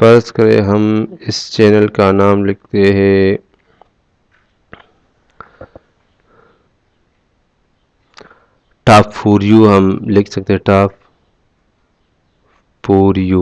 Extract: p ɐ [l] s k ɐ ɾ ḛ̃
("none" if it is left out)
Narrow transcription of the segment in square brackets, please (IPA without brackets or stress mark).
ɾ